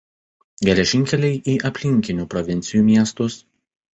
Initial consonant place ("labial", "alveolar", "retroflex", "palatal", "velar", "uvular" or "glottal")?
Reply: velar